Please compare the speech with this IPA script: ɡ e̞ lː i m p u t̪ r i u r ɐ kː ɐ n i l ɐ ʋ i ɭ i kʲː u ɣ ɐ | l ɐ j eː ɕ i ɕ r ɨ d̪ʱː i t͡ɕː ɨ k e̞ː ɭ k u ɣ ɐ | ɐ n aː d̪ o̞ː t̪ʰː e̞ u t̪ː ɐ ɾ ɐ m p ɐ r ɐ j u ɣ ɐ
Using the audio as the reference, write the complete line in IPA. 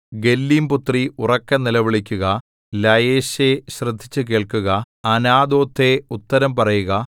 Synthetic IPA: ɡ e̞ lː i m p u t̪ r i u r ɐ kː ɐ n i l ɐ ʋ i ɭ i kʲː u ɣ ɐ | l ɐ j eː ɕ e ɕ r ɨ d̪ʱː i t͡ɕː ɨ k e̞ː ɭ k u ɣ ɐ | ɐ n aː d̪ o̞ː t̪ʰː e̞ u t̪ː ɐ ɾ ɐ m p ɐ r ɐ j u ɣ ɐ